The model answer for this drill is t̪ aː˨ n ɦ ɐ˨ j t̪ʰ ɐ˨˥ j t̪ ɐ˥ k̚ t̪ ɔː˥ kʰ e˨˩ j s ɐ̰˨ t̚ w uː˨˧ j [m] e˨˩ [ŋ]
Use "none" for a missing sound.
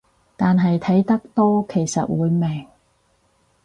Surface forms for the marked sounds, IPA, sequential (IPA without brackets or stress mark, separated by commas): m, ŋ